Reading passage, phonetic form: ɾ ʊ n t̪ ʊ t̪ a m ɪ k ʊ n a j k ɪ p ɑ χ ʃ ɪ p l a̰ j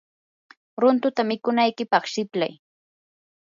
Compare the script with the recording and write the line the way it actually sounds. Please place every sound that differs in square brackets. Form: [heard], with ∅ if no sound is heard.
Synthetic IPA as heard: ɾ ʊ n t̪ ʊ t̪ a m ɪ k ʊ n a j k ɪ p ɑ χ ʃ ɪ p l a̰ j